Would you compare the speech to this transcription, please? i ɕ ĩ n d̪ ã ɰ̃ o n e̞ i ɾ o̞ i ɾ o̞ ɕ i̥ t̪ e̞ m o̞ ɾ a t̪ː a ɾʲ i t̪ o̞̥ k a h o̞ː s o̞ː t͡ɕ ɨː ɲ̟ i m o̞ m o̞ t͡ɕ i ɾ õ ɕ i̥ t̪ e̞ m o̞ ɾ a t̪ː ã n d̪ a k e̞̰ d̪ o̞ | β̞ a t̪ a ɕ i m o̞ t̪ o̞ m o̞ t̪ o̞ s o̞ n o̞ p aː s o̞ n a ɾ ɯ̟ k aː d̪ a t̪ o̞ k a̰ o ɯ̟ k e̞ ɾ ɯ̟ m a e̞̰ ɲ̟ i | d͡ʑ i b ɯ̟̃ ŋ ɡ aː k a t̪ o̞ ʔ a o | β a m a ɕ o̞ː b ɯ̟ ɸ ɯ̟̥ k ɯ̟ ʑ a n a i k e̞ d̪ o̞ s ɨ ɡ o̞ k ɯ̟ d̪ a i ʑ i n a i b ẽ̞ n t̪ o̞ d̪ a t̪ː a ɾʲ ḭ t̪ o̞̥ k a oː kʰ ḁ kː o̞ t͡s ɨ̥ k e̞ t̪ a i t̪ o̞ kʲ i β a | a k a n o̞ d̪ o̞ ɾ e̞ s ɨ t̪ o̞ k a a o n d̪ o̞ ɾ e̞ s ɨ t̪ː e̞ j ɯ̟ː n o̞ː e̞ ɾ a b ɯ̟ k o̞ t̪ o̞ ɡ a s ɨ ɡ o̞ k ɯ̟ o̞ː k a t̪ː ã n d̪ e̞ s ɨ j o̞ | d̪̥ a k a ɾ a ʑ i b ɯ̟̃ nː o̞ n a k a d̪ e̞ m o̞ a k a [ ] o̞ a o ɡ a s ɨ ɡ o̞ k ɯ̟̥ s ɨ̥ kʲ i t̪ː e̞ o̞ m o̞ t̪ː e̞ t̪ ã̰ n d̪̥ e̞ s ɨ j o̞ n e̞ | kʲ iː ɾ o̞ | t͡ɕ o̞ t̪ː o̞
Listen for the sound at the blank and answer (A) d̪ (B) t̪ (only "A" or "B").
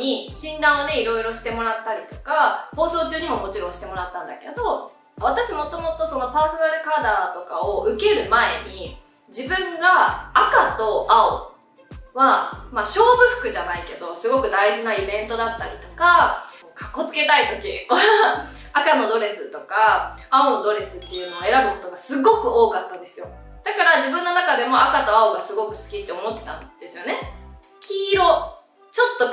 B